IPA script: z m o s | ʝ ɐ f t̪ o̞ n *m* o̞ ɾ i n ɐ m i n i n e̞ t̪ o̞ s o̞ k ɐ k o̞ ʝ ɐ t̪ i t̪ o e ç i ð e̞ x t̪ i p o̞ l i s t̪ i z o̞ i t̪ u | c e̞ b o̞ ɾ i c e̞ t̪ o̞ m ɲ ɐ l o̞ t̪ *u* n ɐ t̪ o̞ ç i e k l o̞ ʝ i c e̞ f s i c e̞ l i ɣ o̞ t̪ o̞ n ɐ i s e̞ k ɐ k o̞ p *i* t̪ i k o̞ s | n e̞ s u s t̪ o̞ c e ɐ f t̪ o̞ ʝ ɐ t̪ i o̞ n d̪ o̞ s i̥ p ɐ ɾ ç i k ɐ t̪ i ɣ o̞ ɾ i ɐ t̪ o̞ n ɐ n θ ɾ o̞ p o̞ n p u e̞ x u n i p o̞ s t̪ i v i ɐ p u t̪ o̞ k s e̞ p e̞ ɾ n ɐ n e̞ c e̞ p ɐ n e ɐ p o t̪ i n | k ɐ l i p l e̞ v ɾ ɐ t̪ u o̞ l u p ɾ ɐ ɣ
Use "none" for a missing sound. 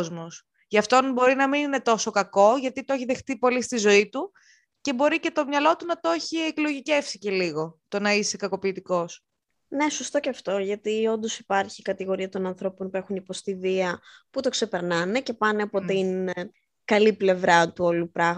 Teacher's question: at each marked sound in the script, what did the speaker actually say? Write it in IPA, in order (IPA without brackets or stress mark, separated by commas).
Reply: b, u, iː